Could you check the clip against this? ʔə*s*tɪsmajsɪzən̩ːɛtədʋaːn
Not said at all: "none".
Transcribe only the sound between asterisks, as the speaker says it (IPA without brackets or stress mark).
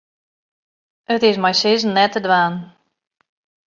none